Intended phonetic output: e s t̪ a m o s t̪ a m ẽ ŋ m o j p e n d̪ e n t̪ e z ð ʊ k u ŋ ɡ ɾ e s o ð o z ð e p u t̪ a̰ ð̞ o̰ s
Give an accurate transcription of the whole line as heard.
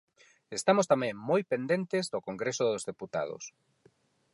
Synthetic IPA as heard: e s t̪ a m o s t̪ a m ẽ ŋ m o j p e n d̪ e n t̪ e z ð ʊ k o ŋ ɡ ɾ e s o ð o z ð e p u t̪ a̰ ð̞ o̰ s